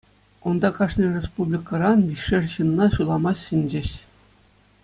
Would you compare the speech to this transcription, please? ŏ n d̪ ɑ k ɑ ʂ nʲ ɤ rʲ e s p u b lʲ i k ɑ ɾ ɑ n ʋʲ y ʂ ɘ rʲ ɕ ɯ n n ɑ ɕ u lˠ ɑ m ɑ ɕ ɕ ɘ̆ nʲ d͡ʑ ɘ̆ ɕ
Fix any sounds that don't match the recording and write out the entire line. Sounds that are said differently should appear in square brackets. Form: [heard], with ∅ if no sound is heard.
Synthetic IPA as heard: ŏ n d̪ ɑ k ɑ ʂ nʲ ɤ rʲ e s p u b lʲ i k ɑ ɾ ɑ n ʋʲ [i] ʂ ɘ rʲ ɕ ɯ n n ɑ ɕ u lˠ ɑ m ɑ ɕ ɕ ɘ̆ nʲ d͡ʑ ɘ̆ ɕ